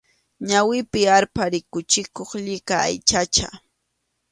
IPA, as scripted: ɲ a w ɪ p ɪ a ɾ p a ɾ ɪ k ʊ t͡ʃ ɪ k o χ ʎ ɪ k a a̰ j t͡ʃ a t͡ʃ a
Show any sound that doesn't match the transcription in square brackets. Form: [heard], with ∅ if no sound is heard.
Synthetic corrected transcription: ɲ a w ɪ p ɪ a ɾ p a ɾ ɪ k ʊ t͡ʃ ɪ k o χ ʎ ɪ k a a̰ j t͡ʃ a t͡ʃ a